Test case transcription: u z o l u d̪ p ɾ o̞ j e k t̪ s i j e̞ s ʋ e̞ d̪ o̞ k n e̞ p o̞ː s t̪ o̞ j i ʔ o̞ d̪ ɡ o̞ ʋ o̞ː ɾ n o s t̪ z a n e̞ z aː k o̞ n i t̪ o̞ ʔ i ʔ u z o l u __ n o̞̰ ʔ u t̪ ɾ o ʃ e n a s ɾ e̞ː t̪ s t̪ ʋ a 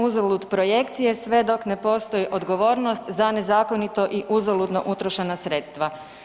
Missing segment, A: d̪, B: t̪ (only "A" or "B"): A